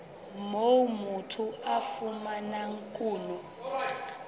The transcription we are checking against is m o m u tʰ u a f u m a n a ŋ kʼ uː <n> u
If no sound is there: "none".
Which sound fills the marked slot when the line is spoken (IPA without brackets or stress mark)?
n